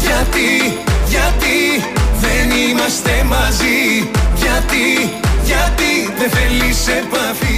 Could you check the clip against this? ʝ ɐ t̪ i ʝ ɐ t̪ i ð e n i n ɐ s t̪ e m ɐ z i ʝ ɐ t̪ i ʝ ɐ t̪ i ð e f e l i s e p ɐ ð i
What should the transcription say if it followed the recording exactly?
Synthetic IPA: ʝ ɐ t̪ i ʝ ɐ t̪ i ð e n i m ɐ s t̪ e m ɐ z i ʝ ɐ t̪ i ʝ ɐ t̪ i ð e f e l i s e p ɐ θ i